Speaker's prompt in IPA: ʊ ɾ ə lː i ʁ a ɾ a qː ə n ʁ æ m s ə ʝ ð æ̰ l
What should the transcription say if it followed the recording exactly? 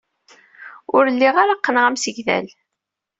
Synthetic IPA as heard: ʊ ɾ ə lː i ʁ a ɾ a qː ə n ʁ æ m s ə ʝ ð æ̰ l